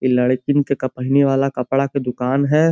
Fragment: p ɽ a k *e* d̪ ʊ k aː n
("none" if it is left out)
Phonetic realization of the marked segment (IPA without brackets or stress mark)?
e